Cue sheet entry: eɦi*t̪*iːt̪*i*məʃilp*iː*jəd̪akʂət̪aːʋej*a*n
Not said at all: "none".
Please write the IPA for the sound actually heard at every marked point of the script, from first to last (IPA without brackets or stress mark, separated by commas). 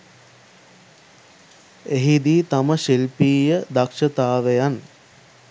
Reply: d̪, a, iː, a